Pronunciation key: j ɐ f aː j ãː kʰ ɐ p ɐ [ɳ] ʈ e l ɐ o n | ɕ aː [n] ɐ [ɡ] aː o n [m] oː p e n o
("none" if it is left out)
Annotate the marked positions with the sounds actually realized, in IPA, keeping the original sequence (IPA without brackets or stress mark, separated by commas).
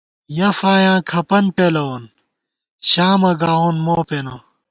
n, m, ɡ, m